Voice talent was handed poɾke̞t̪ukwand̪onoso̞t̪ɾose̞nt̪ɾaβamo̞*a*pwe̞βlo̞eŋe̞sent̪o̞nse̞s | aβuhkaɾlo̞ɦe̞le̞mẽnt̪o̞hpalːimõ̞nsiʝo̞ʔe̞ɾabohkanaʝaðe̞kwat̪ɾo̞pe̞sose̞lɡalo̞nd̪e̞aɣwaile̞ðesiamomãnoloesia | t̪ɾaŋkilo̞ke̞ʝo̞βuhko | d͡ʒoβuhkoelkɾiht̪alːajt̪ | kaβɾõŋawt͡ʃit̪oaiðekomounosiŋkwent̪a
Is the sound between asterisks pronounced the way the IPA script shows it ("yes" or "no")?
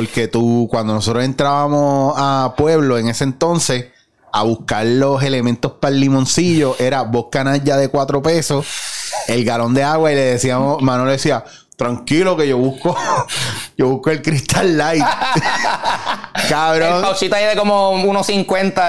yes